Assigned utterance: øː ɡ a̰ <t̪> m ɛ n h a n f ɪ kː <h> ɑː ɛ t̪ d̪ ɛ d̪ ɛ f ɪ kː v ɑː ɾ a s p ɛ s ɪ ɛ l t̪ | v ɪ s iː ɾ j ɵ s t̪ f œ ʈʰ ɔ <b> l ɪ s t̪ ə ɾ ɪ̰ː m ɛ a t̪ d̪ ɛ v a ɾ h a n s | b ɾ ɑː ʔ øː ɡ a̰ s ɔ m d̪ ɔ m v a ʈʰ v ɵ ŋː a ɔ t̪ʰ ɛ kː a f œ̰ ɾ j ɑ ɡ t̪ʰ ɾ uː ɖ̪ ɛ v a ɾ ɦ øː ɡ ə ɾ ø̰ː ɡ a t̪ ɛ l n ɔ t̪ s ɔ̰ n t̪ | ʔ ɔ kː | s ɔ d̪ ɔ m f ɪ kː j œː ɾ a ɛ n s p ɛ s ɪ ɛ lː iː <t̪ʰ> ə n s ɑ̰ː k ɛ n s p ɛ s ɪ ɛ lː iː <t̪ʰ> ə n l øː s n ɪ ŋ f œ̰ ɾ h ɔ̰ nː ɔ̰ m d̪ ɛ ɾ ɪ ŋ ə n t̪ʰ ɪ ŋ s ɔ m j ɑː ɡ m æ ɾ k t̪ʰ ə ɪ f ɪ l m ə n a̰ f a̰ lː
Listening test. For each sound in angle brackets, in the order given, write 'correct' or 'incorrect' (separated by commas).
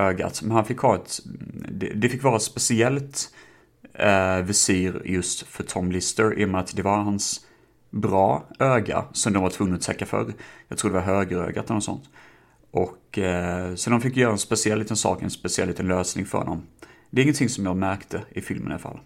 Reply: correct, correct, incorrect, incorrect, incorrect